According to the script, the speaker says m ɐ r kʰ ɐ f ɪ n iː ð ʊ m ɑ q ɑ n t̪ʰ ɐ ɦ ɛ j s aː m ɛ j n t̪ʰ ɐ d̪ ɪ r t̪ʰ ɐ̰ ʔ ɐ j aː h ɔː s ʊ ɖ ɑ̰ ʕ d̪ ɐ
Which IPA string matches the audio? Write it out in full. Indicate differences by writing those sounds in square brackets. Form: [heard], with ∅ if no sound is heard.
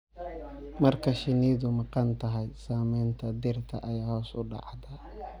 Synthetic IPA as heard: m ɐ r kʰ ɐ [ʃ] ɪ n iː ð ʊ m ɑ q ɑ n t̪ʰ ɐ ɦ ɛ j s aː m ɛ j n t̪ʰ ɐ d̪ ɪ r t̪ʰ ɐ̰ ʔ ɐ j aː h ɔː s ʊ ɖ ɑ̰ ʕ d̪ ɐ